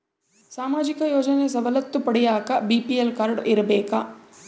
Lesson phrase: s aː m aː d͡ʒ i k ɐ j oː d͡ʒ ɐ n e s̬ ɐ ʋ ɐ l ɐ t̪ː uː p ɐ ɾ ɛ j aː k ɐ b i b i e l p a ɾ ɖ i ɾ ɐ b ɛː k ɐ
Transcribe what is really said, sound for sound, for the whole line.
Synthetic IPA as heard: s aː m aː d͡ʒ i k ɐ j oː d͡ʒ ɐ n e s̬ ɐ ʋ ɐ l ɐ t̪ː u p ɐ ɽ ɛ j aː k ɐ b i p i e l k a ɾ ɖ i ɾ ɐ b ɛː k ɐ